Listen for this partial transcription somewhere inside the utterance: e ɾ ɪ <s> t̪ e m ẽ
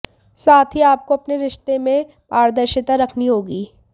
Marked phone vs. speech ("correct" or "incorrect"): incorrect